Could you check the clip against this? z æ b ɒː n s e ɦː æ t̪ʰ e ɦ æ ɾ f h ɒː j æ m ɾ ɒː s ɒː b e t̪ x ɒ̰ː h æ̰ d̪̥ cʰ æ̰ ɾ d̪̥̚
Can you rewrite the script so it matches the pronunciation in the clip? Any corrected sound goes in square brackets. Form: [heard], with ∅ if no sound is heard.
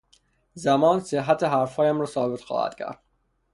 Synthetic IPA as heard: z æ [m] ɒː n s e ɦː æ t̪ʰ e ɦ æ ɾ f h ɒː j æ m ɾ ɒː s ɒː b e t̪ x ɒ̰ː h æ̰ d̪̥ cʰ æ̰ ɾ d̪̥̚